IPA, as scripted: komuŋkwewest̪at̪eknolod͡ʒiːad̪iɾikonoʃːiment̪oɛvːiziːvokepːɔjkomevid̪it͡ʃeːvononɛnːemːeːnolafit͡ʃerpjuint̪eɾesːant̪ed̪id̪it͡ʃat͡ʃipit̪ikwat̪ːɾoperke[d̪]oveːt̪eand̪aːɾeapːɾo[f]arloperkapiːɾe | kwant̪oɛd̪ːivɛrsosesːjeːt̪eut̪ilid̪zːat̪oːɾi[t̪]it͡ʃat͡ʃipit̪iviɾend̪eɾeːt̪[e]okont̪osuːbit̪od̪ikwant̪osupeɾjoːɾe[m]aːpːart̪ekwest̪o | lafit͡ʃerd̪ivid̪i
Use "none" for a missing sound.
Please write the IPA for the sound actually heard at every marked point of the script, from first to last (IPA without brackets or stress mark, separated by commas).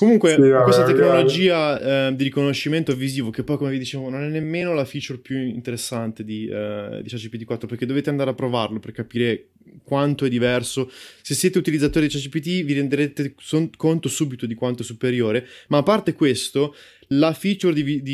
d̪, v, d̪, e, m